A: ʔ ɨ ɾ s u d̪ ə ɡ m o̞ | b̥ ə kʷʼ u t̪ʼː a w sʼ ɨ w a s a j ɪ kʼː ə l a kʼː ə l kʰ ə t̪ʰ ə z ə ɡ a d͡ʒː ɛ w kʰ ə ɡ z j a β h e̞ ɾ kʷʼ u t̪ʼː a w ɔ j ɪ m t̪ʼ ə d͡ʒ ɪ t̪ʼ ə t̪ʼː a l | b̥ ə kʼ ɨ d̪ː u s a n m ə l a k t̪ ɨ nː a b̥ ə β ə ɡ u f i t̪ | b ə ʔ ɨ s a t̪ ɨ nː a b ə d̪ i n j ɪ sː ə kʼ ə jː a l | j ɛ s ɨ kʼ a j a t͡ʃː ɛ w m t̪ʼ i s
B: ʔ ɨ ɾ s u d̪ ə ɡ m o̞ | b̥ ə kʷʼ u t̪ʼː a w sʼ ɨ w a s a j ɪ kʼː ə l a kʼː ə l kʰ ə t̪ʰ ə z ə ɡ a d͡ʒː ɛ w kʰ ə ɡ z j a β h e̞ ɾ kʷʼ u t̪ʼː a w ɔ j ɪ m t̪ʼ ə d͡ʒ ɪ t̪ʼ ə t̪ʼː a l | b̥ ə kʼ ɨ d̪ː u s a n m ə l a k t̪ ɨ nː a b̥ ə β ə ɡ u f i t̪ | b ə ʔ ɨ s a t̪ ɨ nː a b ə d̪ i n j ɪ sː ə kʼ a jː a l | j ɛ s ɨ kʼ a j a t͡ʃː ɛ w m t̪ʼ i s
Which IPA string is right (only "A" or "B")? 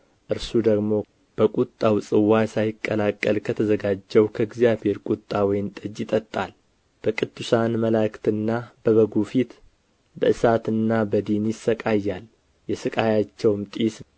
B